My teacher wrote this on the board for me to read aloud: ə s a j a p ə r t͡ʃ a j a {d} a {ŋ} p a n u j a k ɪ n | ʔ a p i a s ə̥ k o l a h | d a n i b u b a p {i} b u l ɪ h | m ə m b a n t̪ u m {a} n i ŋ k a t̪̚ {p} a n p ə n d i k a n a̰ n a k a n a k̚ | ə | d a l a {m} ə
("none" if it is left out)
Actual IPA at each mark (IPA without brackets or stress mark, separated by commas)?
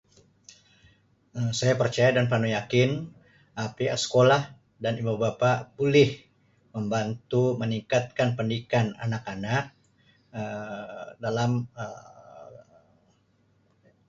d, n, a, ə, k, m